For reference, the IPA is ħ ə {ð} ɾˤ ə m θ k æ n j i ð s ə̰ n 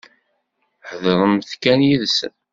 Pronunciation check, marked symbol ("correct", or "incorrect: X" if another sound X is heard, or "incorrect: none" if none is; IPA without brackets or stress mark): correct